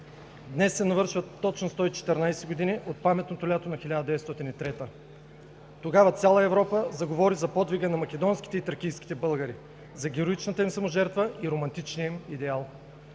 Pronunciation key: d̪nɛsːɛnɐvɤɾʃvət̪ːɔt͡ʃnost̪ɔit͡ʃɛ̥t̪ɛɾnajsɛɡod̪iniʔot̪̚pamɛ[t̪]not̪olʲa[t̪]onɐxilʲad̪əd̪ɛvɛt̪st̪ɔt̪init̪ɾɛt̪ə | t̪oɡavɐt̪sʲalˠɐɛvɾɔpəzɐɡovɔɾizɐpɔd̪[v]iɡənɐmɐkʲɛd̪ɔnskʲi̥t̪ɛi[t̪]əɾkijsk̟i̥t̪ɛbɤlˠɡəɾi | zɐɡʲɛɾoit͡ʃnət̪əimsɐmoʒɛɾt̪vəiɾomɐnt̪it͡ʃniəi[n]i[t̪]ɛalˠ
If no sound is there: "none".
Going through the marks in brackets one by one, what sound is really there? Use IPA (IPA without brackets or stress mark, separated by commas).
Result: t̪, t̪, v, t̪, m, d̪